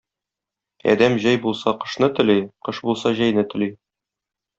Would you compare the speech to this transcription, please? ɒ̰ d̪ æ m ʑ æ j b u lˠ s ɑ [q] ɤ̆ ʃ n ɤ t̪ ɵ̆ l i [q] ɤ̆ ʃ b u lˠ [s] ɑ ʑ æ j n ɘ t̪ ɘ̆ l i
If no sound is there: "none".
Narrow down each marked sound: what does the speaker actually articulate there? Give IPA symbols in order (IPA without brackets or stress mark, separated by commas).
q, q, s